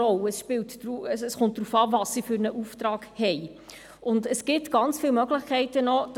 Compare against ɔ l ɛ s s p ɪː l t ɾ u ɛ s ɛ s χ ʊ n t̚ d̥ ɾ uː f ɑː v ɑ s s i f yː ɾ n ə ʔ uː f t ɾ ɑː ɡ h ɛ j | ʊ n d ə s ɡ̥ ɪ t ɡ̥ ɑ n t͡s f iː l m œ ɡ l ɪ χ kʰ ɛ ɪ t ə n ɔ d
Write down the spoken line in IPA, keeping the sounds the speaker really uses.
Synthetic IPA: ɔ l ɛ s ʃ p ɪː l t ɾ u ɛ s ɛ s χ ʊ n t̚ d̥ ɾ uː f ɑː v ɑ s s i f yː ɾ n ə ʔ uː f t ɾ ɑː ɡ h ɛ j | ʊ n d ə s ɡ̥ ɪ t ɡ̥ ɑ n t͡s f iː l m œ ɡ l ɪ χ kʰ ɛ ɪ t ə n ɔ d